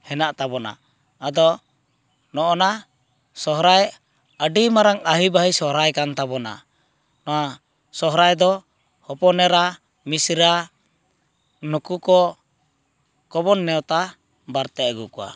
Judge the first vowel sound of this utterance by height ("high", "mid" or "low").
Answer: mid